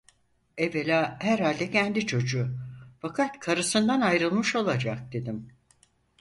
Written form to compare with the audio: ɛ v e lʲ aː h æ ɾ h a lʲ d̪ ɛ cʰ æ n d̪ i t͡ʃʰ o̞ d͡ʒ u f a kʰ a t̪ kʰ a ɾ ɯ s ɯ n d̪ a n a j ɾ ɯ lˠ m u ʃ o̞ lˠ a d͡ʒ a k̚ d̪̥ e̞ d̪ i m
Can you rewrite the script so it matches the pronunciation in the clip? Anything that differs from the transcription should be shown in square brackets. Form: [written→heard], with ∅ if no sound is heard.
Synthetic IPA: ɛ v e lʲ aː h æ ɾ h a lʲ d̪ ɛ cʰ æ n d̪ i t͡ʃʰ o̞ d͡ʒ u f a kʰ a t̪ kʰ a ɾ ɯ s ɯ n d̪ a n a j ɾ ɯ lˠ m [u→ɯ] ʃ o̞ lˠ a d͡ʒ a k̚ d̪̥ e̞ d̪ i m